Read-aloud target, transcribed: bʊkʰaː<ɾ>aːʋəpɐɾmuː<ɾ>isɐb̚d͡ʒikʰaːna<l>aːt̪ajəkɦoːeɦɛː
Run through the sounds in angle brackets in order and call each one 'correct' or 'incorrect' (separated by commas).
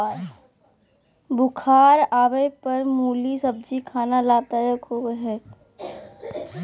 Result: correct, incorrect, correct